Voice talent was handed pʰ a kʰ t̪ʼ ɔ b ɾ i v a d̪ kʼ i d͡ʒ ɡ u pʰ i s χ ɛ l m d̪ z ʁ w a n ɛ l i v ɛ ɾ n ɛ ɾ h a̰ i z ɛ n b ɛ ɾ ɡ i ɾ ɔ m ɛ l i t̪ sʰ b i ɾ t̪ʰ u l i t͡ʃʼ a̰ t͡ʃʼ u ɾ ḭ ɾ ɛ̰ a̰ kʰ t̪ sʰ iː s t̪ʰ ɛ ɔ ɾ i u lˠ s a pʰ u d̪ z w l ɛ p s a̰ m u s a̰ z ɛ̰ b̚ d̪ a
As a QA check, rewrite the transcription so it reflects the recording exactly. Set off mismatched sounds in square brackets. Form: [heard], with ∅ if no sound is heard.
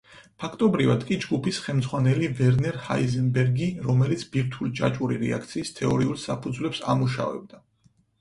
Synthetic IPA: pʰ a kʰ t̪ʼ ɔ b ɾ i v a d̪ kʼ i d͡ʒ ɡ u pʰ i s χ ɛ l m d̪ z ʁ w a n ɛ l i v ɛ ɾ n ɛ ɾ h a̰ i z ɛ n b ɛ ɾ ɡ i ɾ ɔ m ɛ l i t̪ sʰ b i ɾ t̪ʰ u l i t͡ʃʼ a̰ t͡ʃʼ u ɾ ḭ ɾ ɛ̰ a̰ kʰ t̪ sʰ iː s t̪ʰ ɛ ɔ ɾ i u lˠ s a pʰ u d̪ z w l ɛ p s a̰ m u [ʃ] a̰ [v] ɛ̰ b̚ d̪ a